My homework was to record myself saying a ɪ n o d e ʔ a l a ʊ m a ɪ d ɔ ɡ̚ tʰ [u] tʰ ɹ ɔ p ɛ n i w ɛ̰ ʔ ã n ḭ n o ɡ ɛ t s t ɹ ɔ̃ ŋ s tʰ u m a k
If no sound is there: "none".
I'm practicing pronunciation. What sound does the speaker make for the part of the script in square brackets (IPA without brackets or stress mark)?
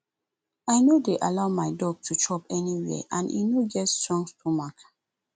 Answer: u